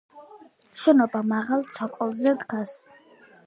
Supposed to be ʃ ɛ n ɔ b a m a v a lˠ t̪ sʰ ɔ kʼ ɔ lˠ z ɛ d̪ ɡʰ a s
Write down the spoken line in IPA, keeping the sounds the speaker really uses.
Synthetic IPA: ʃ ɛ n ɔ b a m a ʁ a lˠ t̪ sʰ ɔ kʼ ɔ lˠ z ɛ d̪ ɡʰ a s